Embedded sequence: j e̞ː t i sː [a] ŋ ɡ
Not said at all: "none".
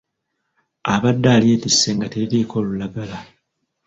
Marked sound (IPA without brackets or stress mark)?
e